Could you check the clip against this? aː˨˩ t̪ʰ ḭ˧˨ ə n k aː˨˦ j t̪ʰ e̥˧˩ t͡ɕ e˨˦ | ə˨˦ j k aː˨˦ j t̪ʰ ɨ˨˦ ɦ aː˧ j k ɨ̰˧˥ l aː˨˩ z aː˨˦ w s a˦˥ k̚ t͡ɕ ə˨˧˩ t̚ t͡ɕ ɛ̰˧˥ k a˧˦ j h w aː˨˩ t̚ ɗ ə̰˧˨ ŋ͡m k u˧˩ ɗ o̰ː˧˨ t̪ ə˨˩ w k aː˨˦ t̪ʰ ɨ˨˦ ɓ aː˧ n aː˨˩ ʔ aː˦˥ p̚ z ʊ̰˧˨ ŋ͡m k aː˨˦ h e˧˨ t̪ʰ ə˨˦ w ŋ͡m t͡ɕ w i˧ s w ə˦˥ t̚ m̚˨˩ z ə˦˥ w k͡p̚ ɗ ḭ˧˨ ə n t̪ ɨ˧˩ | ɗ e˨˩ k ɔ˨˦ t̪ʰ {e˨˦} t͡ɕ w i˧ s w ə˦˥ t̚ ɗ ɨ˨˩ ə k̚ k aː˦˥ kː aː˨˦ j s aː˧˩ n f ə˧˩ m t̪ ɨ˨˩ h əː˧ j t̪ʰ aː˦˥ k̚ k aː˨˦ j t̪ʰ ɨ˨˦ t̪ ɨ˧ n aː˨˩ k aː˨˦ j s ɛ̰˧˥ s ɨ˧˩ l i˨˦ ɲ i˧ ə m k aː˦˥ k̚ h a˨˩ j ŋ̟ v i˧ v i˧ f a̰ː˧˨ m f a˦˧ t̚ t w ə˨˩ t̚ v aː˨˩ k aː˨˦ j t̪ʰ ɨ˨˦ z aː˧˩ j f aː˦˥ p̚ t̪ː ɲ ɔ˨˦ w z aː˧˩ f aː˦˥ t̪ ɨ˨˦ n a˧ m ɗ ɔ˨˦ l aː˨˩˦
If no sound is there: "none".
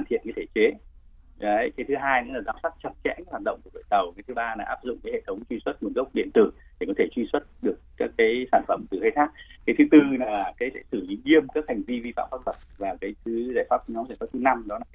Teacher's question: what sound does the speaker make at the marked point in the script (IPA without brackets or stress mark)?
e˧˩